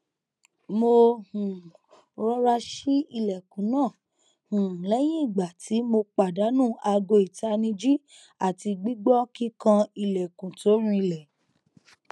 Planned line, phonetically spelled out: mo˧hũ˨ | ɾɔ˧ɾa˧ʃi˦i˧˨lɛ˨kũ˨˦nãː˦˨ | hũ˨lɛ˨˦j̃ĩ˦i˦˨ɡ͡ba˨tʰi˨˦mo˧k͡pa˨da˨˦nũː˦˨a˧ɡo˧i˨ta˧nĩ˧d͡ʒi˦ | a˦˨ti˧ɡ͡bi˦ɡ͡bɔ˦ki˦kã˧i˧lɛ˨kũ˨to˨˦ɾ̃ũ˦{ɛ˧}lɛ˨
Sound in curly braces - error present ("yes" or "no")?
yes